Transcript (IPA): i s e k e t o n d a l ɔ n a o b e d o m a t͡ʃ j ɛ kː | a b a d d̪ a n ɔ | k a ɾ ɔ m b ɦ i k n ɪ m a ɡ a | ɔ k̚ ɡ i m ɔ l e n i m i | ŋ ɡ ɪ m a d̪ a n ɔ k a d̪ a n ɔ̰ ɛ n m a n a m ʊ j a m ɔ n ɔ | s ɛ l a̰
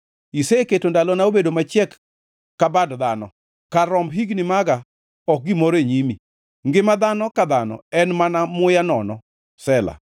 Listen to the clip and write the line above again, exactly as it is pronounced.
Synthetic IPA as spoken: i s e k e t o n d a l ɔ n a o b e d o m a t͡ʃ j ɛ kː | a b a d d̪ a n ɔ | k a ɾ ɔ m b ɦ i ɡ n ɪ m a ɡ a | ɔ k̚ ɡ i m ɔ ɾ e ɲ i m i | ŋ ɡ ɪ m a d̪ a n ɔ k a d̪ a n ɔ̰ ɛ n m a n a m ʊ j a n ɔ n ɔ | s ɛ l a̰